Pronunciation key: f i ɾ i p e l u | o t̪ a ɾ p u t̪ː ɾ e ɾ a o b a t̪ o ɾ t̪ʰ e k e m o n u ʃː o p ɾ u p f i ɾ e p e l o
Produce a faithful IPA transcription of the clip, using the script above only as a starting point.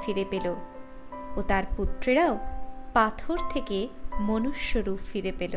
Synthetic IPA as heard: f i ɾ e p e l o | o t̪ a ɾ p u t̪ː ɾ e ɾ a o p a t̪ʰ o ɾ t̪ʰ e k e m o n u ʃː o ɾ u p f i ɾ e p e l o